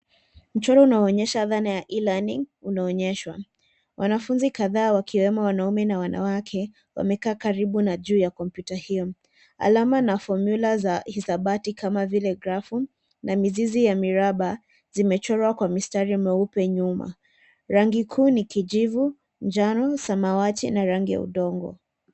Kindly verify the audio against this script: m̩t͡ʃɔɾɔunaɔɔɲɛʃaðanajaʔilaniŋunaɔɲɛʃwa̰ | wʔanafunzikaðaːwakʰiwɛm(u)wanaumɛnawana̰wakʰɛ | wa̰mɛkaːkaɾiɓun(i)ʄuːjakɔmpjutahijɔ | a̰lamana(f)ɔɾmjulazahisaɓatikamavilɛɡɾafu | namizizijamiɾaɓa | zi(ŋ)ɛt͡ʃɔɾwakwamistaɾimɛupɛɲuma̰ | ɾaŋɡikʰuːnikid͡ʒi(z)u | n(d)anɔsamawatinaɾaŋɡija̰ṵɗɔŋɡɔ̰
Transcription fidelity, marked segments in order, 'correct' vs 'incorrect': incorrect: ɔ, incorrect: a, correct, incorrect: m, incorrect: v, incorrect: d͡ʒ

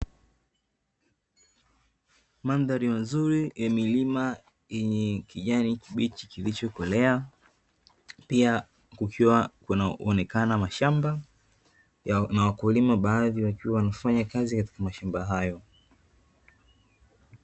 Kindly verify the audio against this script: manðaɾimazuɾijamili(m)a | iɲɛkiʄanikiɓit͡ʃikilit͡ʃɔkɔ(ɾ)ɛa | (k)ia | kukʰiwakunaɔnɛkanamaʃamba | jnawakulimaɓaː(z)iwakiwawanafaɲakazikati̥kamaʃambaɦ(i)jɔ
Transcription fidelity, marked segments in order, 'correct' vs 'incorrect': correct, incorrect: l, incorrect: p, incorrect: ð, incorrect: a

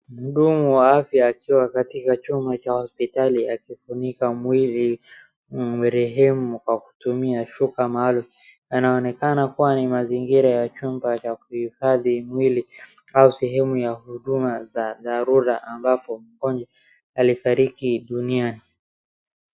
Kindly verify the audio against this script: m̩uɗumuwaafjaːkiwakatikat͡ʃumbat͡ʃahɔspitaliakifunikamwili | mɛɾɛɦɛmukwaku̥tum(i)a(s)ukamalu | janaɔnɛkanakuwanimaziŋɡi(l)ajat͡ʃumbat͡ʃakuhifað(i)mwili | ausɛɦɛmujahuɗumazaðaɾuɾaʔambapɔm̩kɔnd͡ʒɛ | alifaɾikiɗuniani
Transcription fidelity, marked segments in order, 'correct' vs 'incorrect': correct, incorrect: ʃ, incorrect: ɾ, correct

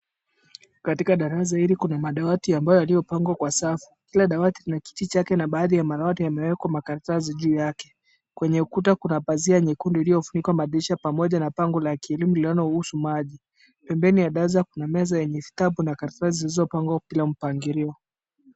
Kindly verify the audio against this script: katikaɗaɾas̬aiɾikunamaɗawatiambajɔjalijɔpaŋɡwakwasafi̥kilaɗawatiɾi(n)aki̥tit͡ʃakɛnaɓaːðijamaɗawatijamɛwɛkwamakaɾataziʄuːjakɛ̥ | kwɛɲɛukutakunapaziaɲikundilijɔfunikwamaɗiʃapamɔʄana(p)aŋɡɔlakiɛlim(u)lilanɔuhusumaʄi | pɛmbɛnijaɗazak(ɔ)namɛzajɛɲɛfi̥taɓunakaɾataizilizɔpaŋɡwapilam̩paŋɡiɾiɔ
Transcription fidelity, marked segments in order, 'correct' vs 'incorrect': correct, correct, correct, incorrect: u

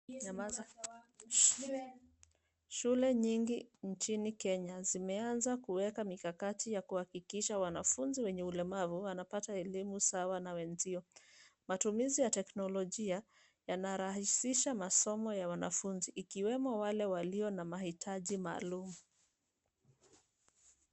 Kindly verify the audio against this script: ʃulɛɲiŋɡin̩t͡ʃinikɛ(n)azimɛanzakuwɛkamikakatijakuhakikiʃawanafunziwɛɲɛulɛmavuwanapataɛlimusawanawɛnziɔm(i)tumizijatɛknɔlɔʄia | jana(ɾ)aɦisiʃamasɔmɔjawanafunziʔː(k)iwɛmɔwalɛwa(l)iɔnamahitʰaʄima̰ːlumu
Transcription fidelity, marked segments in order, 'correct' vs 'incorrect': incorrect: ɲ, incorrect: a, correct, correct, correct

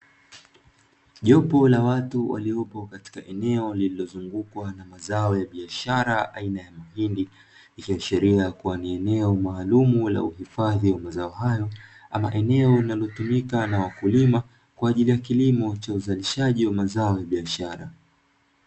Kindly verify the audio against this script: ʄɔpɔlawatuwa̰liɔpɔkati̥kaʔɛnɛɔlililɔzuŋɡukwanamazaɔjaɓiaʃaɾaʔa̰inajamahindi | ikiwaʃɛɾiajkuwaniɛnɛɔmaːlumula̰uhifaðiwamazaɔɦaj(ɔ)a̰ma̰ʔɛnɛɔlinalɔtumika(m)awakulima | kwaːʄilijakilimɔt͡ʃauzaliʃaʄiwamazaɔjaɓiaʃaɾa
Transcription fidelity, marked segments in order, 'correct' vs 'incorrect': correct, incorrect: n

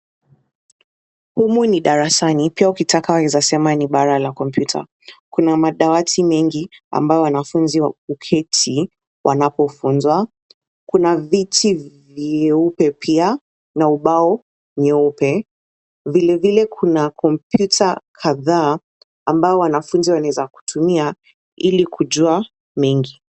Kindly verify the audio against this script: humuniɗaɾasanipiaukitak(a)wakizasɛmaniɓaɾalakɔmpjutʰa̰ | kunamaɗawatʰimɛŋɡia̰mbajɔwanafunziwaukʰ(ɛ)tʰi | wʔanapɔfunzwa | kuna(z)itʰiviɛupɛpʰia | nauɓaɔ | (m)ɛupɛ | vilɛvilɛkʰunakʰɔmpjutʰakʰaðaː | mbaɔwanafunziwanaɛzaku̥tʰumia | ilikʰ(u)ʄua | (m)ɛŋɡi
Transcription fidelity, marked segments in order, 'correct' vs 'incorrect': correct, correct, incorrect: v, incorrect: ɲ, correct, correct

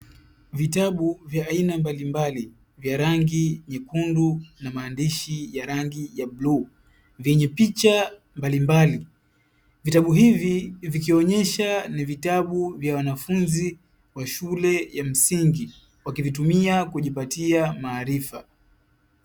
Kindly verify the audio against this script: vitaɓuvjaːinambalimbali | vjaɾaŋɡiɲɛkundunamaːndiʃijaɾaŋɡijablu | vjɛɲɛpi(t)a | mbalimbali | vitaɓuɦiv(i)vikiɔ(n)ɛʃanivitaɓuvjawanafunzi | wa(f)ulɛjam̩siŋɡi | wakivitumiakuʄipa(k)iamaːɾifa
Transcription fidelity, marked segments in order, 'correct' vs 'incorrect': incorrect: t͡ʃ, correct, incorrect: ɲ, incorrect: ʃ, incorrect: t

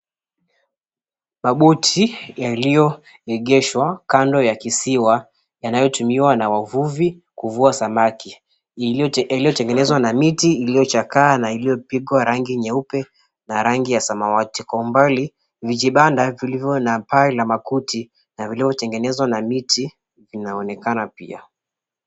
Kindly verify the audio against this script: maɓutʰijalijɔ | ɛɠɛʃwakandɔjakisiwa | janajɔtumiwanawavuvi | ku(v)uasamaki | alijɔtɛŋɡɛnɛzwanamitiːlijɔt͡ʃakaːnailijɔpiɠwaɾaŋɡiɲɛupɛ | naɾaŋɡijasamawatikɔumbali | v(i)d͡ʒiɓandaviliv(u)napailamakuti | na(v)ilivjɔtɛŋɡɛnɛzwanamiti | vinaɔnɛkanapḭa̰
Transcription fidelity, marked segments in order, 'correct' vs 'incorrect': correct, correct, incorrect: ɔ, correct

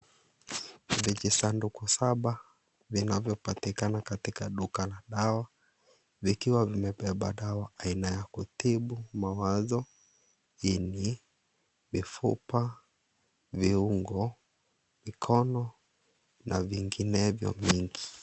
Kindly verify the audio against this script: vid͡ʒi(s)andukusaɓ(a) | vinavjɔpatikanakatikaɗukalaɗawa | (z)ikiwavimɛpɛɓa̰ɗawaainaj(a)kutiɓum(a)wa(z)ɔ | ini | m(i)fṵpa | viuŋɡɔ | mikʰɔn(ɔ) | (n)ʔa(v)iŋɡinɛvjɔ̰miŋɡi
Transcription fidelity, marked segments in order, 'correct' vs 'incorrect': correct, correct, incorrect: v, correct, correct, correct, correct, correct, correct, correct

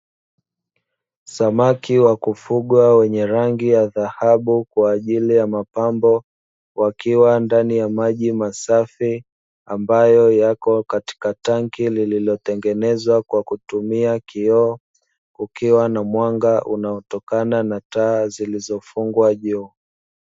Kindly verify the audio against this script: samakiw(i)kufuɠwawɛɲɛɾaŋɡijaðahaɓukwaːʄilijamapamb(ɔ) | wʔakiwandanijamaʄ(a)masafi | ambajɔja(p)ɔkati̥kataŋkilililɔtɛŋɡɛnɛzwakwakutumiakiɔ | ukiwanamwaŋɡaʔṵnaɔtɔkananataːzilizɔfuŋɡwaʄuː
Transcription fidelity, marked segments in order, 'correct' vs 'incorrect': incorrect: a, correct, incorrect: i, incorrect: k

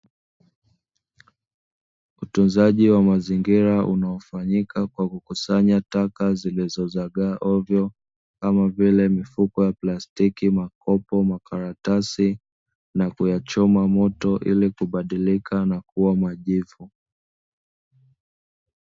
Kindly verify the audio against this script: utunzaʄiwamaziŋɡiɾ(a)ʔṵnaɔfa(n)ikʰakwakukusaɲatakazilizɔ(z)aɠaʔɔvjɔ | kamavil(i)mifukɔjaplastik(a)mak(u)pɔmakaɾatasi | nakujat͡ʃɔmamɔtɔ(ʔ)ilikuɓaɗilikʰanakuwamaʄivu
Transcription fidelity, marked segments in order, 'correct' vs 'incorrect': correct, incorrect: ɲ, correct, incorrect: ɛ, incorrect: i, incorrect: ɔ, correct

